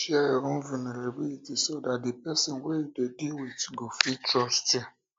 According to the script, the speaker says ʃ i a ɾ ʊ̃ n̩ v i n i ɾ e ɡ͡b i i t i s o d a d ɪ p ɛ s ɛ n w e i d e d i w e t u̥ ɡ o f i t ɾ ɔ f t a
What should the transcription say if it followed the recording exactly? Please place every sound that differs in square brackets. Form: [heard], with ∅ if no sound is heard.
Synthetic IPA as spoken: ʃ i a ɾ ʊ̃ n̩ v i n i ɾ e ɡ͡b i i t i s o d a d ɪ p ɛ s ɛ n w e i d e d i w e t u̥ ɡ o f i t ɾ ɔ [s] t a